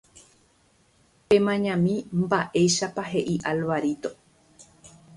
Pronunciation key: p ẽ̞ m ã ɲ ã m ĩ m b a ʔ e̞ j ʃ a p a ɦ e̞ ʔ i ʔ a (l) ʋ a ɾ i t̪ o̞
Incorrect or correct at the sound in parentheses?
correct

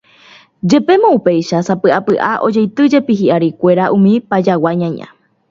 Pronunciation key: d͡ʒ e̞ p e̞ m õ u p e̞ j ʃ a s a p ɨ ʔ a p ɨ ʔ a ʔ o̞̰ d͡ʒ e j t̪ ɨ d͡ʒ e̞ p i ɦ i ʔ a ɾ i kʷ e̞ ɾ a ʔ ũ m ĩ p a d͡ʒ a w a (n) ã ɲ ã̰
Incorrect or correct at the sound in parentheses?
incorrect: ɲ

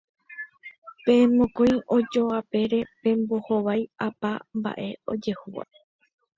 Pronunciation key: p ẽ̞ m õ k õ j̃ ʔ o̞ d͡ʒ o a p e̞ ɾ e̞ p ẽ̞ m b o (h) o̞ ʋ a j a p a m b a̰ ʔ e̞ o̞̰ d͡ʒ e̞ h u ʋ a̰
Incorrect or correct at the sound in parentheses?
correct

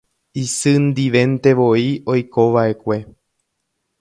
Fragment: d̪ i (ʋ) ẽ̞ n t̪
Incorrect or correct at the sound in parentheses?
correct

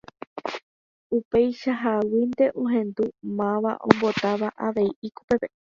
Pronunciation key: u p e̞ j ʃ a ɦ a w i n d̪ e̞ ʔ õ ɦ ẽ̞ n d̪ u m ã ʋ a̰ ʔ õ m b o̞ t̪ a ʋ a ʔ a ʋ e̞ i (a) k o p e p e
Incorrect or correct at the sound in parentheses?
incorrect: i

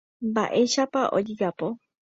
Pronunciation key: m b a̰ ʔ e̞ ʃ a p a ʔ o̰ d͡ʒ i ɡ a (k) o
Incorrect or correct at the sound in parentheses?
incorrect: p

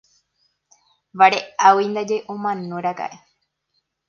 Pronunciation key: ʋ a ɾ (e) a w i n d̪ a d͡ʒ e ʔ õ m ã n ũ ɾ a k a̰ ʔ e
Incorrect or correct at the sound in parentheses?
correct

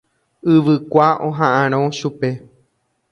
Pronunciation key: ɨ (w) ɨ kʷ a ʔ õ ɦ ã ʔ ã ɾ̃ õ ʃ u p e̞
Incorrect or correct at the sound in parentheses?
incorrect: ʋ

